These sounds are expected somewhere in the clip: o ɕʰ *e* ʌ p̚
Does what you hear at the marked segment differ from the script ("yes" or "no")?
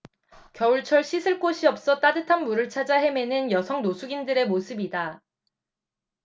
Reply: yes